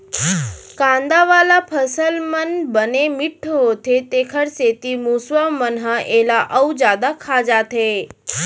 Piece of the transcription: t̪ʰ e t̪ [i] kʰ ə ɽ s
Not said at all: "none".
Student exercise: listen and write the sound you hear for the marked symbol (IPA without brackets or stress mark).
e